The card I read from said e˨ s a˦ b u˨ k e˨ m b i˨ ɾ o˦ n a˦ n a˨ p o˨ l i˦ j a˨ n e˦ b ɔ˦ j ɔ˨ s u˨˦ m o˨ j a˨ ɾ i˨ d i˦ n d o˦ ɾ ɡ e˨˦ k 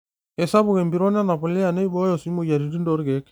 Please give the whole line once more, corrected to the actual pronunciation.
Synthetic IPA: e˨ s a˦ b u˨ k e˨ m b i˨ ɾ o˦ n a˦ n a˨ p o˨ l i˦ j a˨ n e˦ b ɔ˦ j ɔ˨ s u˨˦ m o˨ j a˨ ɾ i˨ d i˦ n d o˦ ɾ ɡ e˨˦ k